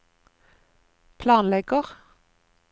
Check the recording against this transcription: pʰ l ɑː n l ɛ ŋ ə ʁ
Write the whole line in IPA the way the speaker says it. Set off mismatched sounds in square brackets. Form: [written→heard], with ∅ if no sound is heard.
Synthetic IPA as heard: pʰ l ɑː n l ɛ [ŋ→ɡ] ə ʁ

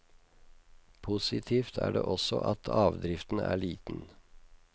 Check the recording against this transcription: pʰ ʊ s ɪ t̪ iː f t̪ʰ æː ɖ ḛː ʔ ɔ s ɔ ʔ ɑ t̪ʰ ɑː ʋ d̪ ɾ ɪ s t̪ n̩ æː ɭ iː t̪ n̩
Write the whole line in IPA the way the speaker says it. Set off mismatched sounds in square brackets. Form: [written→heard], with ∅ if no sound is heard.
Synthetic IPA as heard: pʰ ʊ s ɪ [t̪→t̪ʰ] iː f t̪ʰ æː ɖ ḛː ʔ ɔ s ɔ ʔ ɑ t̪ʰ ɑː ʋ d̪ ɾ ɪ [s→f] t̪ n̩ æː ɭ iː t̪ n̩

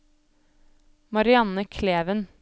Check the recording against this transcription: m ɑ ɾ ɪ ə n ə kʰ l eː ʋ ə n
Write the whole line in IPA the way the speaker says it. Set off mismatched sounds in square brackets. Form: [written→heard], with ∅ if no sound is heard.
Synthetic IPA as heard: m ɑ ɾ ɪ [ə→ɑ] n ə kʰ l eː ʋ ə n

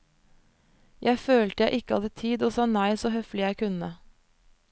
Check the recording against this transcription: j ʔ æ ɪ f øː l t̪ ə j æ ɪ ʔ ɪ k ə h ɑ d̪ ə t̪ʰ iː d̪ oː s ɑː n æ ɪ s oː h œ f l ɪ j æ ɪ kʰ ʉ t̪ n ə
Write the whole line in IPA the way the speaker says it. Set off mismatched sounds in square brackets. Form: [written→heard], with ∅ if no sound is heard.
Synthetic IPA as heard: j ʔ æ ɪ f øː l t̪ ə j æ ɪ ʔ ɪ k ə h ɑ d̪ ə t̪ʰ iː d̪ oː s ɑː n æ ɪ s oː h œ f l ɪ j æ ɪ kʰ ʉ [t̪→∅] n ə

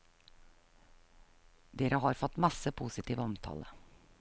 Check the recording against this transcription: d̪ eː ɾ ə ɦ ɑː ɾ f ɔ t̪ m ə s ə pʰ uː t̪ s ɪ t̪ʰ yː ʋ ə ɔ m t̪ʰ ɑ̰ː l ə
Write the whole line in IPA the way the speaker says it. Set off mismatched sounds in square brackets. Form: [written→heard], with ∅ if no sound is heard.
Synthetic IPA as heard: d̪ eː ɾ ə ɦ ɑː ɾ f ɔ t̪ m [ə→ɑ] s ə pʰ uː [t̪→∅] s ɪ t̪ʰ [yː→iː] ʋ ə ɔ m t̪ʰ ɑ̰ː l ə

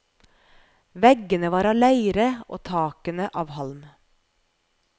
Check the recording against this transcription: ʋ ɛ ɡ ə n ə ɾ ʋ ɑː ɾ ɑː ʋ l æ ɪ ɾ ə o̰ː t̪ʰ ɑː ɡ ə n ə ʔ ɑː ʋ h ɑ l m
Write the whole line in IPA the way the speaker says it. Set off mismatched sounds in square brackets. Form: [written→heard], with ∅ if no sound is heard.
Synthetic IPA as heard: ʋ ɛ ɡ ə n ə [ɾ→∅] ʋ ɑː ɾ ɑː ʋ l æ ɪ ɾ ə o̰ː t̪ʰ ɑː [ɡ→k] ə n ə ʔ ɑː ʋ h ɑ l m

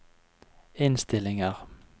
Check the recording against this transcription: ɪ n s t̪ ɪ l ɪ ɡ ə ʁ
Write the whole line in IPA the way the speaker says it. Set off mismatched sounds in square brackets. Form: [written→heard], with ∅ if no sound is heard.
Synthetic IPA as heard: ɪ n s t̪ ɪ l ɪ [ɡ→ŋ] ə ʁ

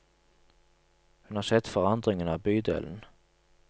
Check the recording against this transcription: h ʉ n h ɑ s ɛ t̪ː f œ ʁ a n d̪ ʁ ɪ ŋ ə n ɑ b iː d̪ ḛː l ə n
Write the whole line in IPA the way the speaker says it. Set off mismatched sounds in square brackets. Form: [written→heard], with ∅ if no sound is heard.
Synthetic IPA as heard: h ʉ n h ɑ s ɛ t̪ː f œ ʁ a n d̪ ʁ ɪ ŋ ə n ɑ b [iː→yː] d̪ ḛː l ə n

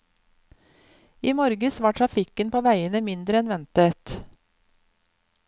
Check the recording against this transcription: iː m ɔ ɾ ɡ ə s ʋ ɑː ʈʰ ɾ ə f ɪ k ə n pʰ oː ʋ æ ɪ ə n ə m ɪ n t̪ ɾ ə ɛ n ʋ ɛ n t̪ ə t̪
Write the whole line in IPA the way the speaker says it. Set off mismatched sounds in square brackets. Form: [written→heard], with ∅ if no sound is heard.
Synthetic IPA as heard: iː m ɔ ɾ ɡ ə s ʋ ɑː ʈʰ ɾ [ə→ɑ] f ɪ k ə n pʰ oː ʋ æ ɪ ə n ə m ɪ n [t̪→d̪] ɾ ə ɛ n ʋ ɛ n t̪ ə t̪

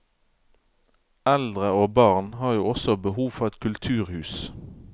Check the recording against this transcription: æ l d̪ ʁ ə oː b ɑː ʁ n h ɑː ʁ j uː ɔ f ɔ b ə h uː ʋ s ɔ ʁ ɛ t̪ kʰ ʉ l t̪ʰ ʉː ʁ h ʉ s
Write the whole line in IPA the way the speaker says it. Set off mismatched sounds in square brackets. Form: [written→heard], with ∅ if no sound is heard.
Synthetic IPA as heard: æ l d̪ ʁ ə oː b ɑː ʁ n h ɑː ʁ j uː ɔ [f→s] ɔ b ə h uː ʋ [s→f] ɔ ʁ ɛ t̪ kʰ ʉ l t̪ʰ ʉː ʁ h [ʉ→ʉː] s

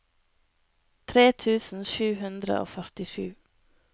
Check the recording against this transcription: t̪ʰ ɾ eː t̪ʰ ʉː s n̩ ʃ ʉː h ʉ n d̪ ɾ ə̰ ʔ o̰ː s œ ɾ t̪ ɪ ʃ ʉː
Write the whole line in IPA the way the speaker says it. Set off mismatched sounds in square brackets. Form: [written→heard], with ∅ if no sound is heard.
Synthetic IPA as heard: t̪ʰ ɾ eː t̪ʰ ʉː s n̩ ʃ ʉː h ʉ n d̪ ɾ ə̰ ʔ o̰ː [s→f] œ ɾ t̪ ɪ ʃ ʉː

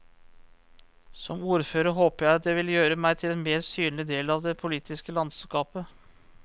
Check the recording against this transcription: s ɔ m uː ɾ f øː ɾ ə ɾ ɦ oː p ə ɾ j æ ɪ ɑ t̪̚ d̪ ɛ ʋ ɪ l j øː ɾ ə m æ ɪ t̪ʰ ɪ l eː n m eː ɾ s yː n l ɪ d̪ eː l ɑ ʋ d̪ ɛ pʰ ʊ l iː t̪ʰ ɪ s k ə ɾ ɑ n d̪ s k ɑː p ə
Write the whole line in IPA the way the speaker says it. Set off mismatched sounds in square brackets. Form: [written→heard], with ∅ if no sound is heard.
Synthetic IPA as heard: s ɔ m uː ɾ f øː ɾ ə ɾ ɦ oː p ə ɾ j æ ɪ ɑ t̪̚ d̪ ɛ ʋ ɪ l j øː ɾ ə m æ ɪ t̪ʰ ɪ l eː n m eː ɾ s yː n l ɪ d̪ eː l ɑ ʋ d̪ ɛ pʰ ʊ l iː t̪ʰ ɪ s k ə [ɾ→l] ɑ n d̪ s k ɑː p ə

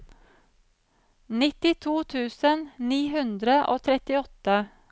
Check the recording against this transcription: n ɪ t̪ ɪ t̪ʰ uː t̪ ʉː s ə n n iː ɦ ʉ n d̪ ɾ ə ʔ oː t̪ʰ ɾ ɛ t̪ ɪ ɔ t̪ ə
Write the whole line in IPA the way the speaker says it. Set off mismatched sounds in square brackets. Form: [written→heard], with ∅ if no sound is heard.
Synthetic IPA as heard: n ɪ t̪ ɪ t̪ʰ uː [t̪→t̪ʰ] ʉː s ə n n iː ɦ ʉ n d̪ ɾ ə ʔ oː t̪ʰ ɾ ɛ t̪ ɪ ɔ t̪ ə

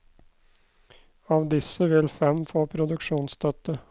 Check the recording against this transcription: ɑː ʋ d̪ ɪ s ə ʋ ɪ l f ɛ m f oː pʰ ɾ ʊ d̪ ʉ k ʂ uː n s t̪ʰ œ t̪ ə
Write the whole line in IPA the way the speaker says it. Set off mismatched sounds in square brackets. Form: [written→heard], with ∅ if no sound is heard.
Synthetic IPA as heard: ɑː ʋ d̪ ɪ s ə ʋ ɪ l f ɛ m f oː pʰ ɾ ʊ d̪ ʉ k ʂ uː n s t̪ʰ œ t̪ ə

